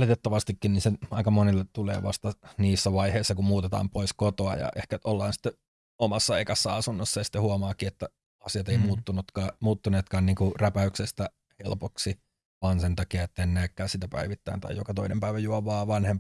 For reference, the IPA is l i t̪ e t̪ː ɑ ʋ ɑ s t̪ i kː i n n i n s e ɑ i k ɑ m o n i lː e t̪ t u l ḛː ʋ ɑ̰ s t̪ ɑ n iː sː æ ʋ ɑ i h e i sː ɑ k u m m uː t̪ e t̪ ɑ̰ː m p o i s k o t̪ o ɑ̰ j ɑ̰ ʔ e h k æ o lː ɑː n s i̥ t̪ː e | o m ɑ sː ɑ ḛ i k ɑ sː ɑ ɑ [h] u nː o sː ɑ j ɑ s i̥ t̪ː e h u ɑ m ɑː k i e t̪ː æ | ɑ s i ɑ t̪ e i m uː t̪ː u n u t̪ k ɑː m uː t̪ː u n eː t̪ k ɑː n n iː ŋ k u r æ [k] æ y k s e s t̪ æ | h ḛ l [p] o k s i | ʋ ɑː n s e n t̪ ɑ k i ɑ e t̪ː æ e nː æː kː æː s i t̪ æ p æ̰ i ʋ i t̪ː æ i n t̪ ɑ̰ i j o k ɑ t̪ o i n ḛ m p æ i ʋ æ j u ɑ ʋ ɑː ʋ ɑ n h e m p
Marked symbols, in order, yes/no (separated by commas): no, no, yes